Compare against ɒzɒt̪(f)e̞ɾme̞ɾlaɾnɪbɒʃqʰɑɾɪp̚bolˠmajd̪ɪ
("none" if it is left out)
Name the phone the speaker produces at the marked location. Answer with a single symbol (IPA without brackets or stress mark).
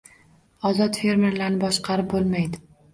f